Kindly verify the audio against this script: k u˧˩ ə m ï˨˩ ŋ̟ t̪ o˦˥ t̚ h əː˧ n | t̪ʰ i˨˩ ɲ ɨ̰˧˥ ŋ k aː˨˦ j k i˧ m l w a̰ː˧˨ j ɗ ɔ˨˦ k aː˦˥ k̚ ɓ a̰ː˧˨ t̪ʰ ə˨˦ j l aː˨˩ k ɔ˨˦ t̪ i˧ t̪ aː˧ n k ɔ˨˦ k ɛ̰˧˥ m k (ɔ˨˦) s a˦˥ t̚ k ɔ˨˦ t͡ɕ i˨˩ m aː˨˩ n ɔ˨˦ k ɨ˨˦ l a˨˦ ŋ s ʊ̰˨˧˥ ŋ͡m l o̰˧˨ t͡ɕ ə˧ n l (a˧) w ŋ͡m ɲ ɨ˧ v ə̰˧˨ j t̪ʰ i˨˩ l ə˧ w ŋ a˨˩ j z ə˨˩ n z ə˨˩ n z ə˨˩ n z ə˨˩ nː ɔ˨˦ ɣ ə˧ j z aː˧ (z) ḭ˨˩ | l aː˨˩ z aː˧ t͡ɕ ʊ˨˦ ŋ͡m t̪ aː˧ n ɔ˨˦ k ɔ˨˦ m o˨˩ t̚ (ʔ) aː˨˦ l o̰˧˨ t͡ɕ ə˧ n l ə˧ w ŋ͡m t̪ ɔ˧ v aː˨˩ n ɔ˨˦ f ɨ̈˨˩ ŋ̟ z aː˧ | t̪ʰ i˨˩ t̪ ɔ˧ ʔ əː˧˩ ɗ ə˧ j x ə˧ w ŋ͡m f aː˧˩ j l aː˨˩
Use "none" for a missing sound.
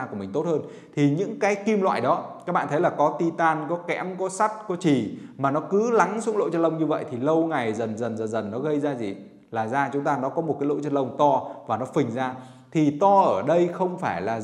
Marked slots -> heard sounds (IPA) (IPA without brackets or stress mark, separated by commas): ɔ˨˦, ə˧, z, k